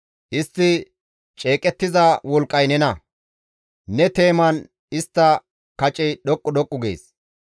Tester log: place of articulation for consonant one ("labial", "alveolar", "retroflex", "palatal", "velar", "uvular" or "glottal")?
glottal